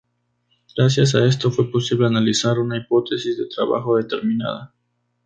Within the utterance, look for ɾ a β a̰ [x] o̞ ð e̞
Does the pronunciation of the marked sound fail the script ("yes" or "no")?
no